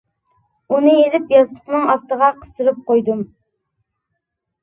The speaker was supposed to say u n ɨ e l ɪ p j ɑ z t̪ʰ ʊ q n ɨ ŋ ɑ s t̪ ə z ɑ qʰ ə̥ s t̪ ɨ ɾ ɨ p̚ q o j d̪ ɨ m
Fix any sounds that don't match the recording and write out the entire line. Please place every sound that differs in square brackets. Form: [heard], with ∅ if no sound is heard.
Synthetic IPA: u n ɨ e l ɪ p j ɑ z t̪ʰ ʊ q n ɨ ŋ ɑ s t̪ ə [ʁ] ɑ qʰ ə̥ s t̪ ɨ ɾ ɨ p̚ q o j d̪ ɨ m